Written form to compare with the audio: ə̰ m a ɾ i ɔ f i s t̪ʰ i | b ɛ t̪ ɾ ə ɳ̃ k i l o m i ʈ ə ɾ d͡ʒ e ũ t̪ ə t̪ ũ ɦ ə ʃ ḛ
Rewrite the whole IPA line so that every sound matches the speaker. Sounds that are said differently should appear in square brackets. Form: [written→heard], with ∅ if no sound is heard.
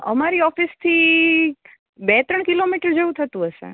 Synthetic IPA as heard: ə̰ m a ɾ i ɔ f i s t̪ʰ i | b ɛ t̪ ɾ ə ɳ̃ k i l o m i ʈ ə ɾ d͡ʒ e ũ [t̪→t̪ʰ] ə t̪ ũ ɦ ə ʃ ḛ